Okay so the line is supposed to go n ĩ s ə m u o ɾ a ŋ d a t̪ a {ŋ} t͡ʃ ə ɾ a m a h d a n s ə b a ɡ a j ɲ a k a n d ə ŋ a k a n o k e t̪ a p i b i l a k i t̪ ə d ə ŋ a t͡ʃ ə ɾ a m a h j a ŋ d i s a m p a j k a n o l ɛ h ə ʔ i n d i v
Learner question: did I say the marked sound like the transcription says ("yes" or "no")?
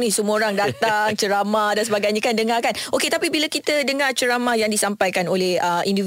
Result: yes